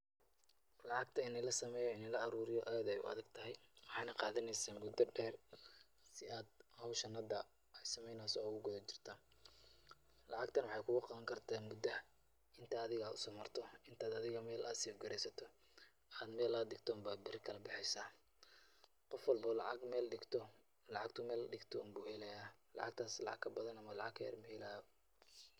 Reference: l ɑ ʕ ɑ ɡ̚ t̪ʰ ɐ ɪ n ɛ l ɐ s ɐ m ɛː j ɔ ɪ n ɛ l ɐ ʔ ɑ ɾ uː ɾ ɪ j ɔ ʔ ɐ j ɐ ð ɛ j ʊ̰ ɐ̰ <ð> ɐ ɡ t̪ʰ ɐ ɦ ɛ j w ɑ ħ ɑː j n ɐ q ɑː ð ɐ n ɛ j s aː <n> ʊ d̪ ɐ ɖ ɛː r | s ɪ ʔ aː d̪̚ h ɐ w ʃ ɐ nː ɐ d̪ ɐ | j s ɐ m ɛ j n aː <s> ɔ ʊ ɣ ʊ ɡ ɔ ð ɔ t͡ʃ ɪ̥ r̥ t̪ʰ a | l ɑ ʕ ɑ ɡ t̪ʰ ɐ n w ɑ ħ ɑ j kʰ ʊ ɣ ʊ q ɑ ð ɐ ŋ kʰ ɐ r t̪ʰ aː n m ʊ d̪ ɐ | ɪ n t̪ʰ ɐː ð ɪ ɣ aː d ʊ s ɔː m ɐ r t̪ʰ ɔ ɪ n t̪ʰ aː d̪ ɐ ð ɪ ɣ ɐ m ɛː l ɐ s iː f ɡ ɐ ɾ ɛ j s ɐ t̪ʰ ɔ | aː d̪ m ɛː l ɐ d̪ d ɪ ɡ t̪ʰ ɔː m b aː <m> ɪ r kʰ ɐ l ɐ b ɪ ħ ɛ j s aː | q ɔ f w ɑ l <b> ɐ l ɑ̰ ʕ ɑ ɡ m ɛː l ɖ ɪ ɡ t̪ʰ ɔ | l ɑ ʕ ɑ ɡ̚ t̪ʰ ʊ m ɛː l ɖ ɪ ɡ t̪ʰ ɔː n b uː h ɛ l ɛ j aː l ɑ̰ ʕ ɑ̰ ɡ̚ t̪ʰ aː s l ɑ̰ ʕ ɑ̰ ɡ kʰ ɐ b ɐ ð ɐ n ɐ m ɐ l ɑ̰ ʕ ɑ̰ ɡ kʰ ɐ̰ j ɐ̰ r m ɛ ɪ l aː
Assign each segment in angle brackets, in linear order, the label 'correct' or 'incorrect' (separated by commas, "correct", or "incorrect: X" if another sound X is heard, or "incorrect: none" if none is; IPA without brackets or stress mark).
correct, incorrect: m, correct, incorrect: b, correct